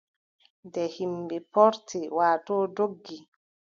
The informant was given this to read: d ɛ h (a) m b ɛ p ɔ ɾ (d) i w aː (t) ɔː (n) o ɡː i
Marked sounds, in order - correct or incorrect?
incorrect: i, incorrect: t, correct, incorrect: d

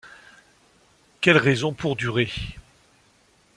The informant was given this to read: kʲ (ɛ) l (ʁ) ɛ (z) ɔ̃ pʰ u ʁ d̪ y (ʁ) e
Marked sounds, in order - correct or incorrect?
correct, correct, correct, correct

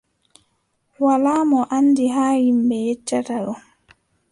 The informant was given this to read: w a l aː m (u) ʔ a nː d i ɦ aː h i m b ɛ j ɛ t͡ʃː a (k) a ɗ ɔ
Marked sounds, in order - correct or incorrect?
incorrect: ɔ, incorrect: t

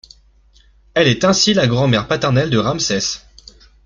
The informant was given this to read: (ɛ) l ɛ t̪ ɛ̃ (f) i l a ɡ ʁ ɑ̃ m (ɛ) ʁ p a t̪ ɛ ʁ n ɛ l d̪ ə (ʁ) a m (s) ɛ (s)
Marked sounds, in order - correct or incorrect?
correct, incorrect: s, correct, correct, correct, correct

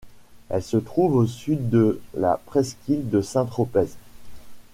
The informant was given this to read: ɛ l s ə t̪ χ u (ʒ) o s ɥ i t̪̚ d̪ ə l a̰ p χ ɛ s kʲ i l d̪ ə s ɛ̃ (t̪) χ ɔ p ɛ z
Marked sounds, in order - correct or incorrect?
incorrect: v, correct

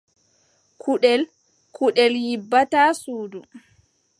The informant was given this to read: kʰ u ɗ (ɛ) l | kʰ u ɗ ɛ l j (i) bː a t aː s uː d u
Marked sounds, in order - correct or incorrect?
correct, correct

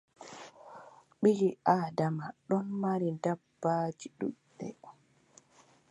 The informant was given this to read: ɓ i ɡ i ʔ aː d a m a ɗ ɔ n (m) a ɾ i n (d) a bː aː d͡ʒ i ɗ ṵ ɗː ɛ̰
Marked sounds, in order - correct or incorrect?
correct, correct

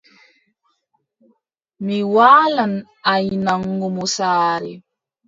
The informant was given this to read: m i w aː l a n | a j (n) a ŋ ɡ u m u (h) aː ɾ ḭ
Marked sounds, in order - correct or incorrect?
correct, incorrect: s

